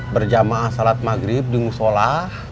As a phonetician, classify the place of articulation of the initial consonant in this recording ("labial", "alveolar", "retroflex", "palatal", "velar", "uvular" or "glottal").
labial